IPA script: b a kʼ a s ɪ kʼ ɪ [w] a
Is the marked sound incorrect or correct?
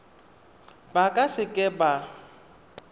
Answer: incorrect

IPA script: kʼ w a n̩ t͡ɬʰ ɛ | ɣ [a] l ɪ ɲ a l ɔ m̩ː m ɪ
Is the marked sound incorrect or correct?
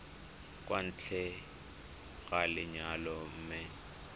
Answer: correct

